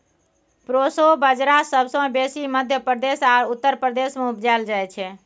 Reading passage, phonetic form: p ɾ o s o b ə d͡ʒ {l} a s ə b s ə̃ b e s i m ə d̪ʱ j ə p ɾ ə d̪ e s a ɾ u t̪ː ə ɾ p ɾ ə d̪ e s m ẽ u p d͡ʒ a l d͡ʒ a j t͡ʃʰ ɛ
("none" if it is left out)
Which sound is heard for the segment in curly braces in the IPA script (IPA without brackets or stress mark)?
ɾ